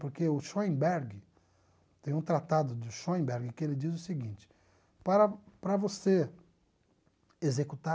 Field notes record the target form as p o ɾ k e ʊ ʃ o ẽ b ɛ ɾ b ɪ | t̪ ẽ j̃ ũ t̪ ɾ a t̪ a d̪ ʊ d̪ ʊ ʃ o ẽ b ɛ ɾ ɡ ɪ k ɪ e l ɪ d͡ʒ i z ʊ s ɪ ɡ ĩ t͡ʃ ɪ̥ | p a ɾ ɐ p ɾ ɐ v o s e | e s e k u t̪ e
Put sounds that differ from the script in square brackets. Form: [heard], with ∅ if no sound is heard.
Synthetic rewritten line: p o ɾ k e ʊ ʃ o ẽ b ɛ ɾ [ɡ] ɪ | t̪ ẽ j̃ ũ t̪ ɾ a t̪ a d̪ ʊ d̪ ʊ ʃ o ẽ b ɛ ɾ ɡ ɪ k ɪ e l ɪ d͡ʒ i z ʊ s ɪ ɡ ĩ t͡ʃ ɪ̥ | p a ɾ ɐ p ɾ ɐ v o s e | e [z] e k u t̪ [a]